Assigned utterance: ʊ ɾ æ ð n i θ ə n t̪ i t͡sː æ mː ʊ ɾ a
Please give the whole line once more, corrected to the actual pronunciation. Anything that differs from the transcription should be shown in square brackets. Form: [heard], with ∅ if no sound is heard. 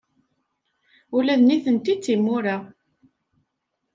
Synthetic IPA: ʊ [l] æ ð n i θ ə n t̪ i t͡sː [i] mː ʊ ɾ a